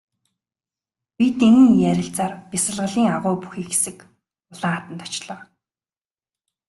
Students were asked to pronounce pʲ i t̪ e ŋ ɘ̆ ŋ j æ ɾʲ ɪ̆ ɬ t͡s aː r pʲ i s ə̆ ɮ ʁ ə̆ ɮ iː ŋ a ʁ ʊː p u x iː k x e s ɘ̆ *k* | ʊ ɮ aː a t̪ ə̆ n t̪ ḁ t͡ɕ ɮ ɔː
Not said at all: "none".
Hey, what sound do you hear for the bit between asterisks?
k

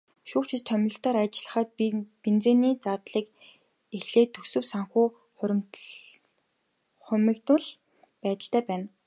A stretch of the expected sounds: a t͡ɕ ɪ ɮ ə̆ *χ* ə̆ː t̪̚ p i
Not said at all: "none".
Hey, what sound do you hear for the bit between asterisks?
χ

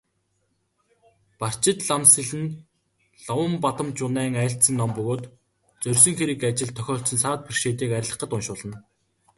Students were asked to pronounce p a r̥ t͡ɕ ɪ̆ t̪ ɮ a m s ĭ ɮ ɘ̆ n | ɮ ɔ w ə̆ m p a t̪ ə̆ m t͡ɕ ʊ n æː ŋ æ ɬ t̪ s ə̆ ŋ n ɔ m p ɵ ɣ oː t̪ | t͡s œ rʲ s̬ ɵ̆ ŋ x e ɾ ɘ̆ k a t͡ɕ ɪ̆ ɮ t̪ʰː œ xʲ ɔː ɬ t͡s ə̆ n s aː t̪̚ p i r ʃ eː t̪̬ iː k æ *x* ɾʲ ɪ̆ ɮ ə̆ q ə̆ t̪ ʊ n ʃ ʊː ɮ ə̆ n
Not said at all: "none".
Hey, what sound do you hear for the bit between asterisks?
none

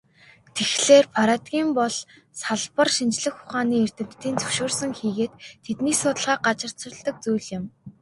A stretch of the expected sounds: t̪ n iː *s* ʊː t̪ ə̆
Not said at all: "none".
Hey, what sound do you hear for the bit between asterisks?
s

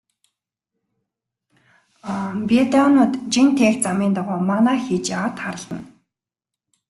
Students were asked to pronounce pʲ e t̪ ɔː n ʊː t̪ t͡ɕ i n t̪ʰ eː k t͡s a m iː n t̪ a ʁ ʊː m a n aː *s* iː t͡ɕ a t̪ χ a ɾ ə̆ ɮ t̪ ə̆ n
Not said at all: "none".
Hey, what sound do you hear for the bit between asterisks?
x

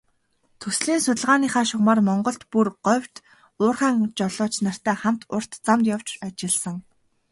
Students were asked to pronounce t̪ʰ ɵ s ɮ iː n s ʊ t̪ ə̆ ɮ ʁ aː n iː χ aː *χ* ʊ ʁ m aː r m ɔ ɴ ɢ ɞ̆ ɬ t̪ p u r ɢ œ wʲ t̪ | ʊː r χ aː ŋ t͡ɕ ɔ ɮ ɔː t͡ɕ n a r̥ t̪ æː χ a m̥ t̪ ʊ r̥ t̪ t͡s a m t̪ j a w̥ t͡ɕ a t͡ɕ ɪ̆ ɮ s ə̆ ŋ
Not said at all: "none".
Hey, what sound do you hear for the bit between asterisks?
ʃ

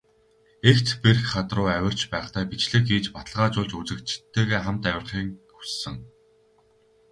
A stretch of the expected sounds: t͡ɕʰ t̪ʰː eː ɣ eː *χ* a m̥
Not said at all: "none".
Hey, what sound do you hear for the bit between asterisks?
χ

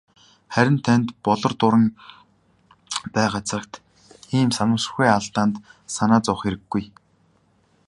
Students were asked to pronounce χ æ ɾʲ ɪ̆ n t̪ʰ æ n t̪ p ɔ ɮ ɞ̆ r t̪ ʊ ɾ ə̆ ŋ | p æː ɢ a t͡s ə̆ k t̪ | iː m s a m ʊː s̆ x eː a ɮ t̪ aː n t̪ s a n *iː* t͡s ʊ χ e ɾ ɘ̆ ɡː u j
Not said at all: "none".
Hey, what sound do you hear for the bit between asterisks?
aː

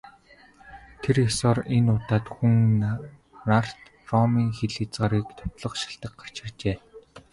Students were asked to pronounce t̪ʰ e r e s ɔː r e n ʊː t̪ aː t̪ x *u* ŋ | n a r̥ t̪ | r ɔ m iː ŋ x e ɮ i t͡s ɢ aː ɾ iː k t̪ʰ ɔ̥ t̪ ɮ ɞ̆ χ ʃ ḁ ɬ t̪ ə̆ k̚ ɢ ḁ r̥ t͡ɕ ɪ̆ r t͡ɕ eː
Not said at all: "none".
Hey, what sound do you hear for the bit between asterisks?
u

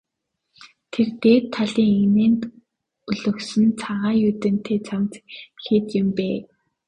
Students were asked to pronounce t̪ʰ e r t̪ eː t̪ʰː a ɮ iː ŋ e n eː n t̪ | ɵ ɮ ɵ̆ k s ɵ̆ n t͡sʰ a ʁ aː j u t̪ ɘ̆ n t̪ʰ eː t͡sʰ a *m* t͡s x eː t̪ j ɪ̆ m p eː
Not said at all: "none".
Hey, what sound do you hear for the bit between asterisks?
m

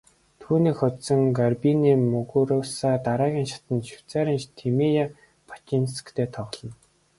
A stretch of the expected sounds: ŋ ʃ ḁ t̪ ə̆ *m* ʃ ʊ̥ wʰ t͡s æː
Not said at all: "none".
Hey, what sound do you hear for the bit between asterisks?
n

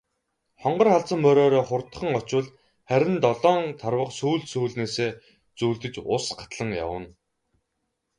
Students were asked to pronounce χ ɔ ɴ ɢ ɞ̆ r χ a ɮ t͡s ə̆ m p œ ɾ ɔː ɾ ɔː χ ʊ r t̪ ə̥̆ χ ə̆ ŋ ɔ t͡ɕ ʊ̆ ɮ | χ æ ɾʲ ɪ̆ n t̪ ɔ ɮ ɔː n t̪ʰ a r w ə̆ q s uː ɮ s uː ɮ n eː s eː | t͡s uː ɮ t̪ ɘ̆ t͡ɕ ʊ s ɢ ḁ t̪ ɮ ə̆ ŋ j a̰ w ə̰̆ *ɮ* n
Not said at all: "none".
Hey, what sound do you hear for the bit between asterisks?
none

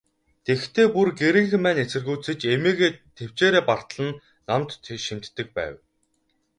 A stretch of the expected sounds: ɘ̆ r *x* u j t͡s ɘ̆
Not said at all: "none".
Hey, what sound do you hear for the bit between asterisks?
ɣ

